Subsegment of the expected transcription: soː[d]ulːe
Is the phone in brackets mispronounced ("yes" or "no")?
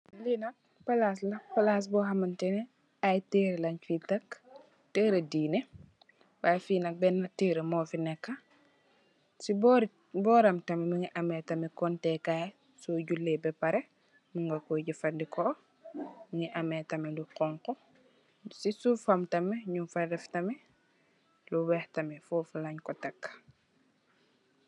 yes